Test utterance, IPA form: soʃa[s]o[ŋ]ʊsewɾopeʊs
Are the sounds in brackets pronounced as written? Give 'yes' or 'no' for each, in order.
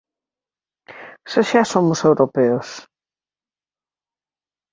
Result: yes, no

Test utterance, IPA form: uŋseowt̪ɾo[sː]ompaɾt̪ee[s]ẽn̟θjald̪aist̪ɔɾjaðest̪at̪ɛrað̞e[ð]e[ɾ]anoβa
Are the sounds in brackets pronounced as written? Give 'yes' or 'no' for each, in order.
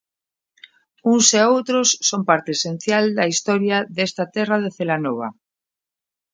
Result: yes, yes, no, no

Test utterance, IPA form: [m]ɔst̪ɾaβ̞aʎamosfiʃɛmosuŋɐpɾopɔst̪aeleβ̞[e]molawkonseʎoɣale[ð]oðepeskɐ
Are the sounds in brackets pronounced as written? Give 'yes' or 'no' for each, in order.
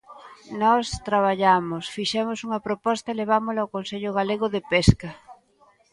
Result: no, no, no

